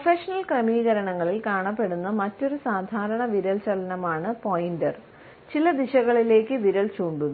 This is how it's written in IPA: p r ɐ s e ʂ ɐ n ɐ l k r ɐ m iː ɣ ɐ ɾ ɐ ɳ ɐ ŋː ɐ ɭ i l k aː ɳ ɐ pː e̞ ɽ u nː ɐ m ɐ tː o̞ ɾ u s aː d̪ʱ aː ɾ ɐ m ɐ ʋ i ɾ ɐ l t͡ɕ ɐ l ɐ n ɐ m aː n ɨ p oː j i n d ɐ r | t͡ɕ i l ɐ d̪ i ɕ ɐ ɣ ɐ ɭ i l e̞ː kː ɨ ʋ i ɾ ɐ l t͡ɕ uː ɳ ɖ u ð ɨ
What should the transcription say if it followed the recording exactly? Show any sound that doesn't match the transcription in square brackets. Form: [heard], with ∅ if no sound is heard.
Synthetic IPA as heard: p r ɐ [f] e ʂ ɐ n ɐ l k r ɐ m iː ɣ ɐ ɾ ɐ ɳ ɐ ŋː ɐ ɭ i l k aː ɳ ɐ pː e̞ ɽ u nː ɐ m ɐ tː o̞ ɾ u s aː d̪ʱ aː ɾ ɐ [ɳ] ɐ ʋ i ɾ ɐ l t͡ɕ ɐ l ɐ n ɐ m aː [ɳ] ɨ p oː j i n d ɐ r | t͡ɕ i l ɐ d̪ i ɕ ɐ ɣ ɐ ɭ i l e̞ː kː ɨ ʋ i ɾ ɐ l t͡ɕ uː ɳ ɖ u ð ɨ